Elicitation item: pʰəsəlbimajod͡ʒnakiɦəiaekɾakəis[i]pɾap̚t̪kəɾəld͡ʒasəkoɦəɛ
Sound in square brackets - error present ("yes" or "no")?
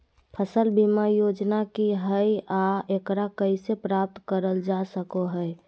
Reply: yes